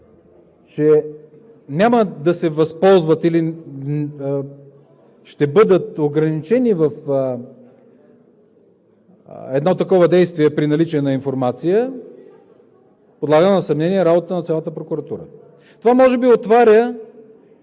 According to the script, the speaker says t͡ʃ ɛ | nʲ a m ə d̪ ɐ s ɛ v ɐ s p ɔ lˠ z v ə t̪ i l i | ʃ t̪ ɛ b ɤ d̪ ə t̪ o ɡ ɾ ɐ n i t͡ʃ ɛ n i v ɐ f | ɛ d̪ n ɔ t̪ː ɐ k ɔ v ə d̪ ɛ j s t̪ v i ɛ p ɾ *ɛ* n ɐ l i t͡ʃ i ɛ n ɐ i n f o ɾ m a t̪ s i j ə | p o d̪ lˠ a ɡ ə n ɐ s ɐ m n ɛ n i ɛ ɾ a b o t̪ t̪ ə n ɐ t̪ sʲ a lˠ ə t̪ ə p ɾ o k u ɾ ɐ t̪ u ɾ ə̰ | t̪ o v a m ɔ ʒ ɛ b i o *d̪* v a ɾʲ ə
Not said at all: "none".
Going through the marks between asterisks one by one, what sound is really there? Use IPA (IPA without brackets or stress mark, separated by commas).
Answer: i, t̪